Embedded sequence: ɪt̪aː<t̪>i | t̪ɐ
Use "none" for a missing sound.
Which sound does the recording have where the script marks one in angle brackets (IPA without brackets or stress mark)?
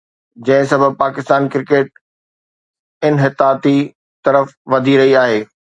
t̪